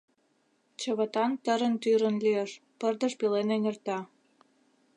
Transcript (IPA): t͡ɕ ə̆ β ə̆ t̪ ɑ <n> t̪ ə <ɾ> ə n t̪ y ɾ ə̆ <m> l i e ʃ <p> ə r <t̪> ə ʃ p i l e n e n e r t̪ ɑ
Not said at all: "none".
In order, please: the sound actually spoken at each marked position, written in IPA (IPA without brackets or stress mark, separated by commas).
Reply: n, ɾ, n, p, d̪